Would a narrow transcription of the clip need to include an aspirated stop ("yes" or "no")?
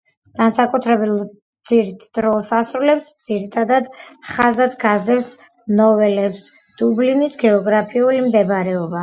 yes